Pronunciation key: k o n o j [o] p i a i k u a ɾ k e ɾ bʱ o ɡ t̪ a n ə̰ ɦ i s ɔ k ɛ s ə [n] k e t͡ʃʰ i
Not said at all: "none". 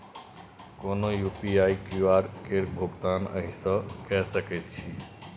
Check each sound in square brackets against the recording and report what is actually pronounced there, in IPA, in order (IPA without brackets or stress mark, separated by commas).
u, none